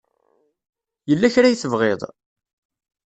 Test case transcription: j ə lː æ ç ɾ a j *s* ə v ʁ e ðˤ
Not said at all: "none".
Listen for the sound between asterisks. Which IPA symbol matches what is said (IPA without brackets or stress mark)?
θ